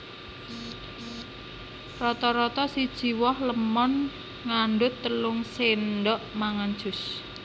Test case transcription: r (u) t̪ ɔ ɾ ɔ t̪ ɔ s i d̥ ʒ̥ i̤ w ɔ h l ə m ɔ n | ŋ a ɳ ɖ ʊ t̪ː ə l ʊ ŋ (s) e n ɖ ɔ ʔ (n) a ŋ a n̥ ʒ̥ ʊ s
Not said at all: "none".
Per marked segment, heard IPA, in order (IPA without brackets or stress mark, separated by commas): ɔ, s, m